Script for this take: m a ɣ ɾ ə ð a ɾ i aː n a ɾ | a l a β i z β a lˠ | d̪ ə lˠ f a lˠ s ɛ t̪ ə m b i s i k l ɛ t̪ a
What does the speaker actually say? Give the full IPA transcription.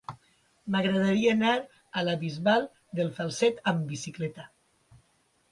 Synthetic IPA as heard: m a ɣ ɾ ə ð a ɾ i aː n a ɾ | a l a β i z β a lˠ | d̪ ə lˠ f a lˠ s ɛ t̪ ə m b i s i k l ɛ t̪ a